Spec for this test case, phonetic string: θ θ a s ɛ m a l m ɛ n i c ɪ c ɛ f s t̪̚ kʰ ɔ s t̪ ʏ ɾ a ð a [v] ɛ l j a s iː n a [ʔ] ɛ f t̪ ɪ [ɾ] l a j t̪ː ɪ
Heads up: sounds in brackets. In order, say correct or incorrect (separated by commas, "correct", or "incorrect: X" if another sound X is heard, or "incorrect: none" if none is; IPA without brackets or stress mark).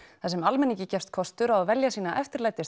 correct, correct, correct